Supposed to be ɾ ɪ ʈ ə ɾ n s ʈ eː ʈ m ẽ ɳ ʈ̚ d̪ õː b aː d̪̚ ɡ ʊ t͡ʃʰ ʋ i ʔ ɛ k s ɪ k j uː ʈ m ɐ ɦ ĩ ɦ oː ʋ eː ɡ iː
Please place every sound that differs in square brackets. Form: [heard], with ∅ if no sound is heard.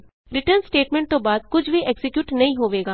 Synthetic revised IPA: ɾ ɪ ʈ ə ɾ n s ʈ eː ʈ m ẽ ɳ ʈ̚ [t̪] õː b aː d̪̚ [k] ʊ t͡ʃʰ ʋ i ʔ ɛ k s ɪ k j uː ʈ [n] ɐ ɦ ĩ ɦ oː ʋ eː ɡ [aː]